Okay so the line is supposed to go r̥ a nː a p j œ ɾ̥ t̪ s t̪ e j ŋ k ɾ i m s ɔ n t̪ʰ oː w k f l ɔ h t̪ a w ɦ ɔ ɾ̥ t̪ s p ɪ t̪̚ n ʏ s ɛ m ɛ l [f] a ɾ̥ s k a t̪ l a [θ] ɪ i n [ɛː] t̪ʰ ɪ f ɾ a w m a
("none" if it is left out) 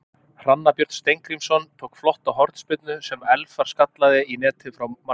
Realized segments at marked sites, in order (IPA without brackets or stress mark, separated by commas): f, ð, ɛː